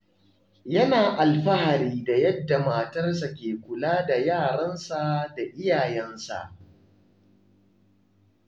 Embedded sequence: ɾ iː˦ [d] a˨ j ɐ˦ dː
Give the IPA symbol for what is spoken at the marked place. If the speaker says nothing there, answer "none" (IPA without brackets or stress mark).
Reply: d